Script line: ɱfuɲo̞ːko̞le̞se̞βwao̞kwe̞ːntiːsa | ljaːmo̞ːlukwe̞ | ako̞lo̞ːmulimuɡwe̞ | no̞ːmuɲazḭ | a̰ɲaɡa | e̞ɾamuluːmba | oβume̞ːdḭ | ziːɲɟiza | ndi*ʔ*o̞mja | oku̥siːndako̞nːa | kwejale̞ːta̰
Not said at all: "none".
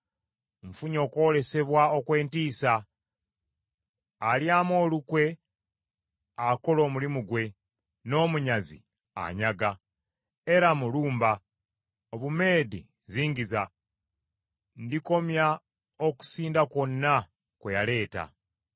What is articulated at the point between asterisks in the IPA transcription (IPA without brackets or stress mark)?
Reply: k